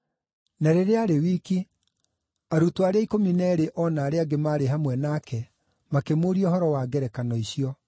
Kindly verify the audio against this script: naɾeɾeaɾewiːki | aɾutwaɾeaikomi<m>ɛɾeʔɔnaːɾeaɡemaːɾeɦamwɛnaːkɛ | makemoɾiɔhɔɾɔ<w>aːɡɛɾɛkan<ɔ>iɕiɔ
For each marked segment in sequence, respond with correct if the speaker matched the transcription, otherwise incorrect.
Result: incorrect, correct, correct

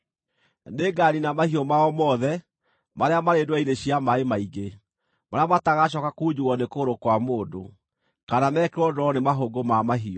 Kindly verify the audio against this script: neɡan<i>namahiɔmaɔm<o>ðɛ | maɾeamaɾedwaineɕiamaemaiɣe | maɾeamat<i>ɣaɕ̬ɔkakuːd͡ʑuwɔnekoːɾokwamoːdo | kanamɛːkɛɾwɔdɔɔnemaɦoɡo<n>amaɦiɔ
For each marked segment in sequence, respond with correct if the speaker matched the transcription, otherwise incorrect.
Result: correct, incorrect, incorrect, incorrect

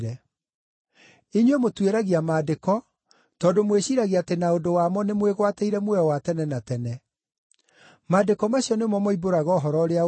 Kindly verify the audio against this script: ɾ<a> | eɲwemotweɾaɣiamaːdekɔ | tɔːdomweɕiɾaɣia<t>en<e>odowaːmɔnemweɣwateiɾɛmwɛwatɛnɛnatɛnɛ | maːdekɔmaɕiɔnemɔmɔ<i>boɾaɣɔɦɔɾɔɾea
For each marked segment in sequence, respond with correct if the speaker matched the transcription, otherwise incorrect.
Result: incorrect, correct, incorrect, correct

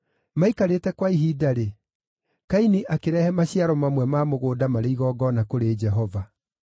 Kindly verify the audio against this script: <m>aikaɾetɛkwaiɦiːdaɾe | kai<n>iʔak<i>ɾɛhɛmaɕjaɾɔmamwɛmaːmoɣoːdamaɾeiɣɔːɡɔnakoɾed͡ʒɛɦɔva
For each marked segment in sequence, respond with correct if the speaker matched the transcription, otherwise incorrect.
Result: correct, correct, incorrect

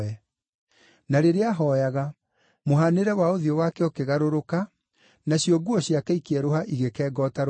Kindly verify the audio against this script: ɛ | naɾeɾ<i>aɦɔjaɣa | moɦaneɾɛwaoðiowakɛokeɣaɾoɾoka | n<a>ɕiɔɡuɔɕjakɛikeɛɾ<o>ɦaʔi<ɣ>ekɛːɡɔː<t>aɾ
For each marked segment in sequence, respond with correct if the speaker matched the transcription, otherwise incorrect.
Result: incorrect, correct, correct, correct, correct

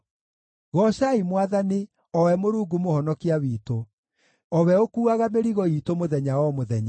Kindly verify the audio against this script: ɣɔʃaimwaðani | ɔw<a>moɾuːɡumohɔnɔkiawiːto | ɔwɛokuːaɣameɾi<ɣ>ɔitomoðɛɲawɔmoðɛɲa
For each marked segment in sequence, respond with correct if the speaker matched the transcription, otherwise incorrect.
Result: incorrect, correct

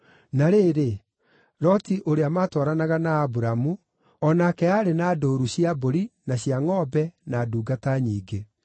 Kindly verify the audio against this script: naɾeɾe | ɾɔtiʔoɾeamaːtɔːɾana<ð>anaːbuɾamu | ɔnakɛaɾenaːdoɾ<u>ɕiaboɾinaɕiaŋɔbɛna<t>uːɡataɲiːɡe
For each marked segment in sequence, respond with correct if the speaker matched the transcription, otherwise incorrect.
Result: incorrect, correct, incorrect

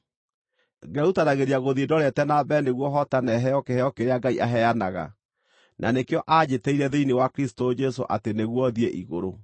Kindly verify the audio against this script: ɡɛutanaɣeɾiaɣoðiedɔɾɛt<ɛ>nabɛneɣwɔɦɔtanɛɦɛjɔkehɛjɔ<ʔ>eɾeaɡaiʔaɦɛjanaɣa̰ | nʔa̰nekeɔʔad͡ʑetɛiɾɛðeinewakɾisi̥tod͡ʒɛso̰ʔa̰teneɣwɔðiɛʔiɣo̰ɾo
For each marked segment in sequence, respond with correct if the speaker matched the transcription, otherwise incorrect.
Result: correct, incorrect

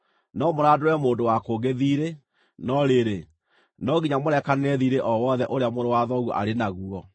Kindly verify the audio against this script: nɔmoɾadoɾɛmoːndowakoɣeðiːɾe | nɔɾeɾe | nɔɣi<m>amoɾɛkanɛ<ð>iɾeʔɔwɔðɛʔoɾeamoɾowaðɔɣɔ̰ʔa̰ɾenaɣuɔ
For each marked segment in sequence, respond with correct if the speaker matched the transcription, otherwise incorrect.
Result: incorrect, correct

